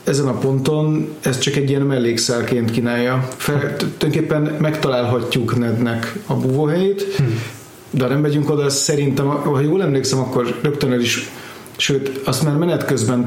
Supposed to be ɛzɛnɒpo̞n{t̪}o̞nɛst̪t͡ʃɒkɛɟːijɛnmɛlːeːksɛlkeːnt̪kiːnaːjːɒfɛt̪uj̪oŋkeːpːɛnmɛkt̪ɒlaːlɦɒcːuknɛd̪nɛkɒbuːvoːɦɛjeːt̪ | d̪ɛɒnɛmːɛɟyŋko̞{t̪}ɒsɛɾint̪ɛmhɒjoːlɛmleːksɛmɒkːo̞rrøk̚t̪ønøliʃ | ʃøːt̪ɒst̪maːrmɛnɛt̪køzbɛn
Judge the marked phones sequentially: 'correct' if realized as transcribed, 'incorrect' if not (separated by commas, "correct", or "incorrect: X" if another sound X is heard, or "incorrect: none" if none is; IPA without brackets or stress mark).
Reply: correct, incorrect: d̪